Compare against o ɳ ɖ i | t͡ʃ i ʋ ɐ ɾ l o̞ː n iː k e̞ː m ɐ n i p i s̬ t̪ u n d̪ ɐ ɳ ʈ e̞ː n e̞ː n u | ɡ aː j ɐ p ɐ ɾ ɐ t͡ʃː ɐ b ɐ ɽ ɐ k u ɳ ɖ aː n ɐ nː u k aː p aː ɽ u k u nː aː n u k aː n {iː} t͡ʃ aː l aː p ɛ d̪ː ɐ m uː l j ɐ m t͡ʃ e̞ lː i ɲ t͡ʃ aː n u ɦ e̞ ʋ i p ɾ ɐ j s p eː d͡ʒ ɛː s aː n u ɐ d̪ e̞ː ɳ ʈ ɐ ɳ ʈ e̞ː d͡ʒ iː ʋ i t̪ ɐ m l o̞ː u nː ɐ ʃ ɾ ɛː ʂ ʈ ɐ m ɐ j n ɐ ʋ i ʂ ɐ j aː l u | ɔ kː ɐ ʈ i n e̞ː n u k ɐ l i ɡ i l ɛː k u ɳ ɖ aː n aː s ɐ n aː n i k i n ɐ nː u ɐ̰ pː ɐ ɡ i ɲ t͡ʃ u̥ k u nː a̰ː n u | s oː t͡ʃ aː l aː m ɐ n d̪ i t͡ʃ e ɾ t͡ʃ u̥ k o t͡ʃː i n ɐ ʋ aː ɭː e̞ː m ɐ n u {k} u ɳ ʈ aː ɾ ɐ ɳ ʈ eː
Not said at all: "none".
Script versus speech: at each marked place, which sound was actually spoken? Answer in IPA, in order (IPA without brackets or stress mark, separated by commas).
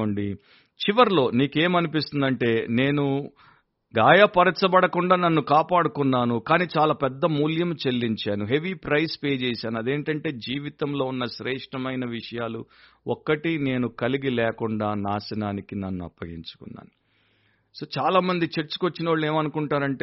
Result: iː, k